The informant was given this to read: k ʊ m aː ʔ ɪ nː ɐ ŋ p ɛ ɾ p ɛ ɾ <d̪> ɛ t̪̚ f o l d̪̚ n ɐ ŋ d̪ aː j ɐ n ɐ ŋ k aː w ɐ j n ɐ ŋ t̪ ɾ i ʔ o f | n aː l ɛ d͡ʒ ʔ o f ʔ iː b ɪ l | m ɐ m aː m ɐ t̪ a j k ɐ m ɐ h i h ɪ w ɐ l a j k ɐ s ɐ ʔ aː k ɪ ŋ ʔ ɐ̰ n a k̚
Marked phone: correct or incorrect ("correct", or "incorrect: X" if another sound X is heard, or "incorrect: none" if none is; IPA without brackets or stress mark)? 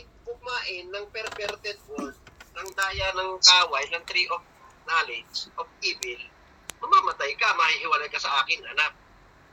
incorrect: t̪